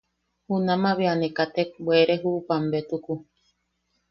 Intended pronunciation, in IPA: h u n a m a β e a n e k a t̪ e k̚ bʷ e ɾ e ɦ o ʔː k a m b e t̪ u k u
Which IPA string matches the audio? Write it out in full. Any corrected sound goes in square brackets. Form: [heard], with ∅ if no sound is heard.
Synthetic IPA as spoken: h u n a m a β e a n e k a t̪ e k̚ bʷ e ɾ e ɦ [u] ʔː [p] a m b e t̪ u k u